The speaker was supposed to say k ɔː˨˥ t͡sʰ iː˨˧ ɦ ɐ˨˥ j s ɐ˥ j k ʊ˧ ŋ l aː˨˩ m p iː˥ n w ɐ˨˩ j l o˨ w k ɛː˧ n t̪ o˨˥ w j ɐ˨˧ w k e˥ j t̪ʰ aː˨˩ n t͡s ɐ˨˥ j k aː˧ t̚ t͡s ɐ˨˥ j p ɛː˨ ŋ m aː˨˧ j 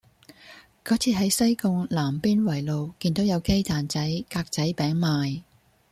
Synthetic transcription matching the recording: k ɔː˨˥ t͡sʰ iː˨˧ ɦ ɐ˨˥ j s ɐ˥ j k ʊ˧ ŋ l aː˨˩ m p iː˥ n w ɐ˨˩ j l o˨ w k iː˧ n t̪ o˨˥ w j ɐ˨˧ w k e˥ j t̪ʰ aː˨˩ n t͡s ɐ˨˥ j k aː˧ k̚ t͡s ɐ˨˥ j p ɛː˨˥ ŋ m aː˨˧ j